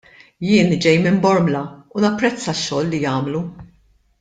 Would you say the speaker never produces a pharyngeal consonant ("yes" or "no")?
yes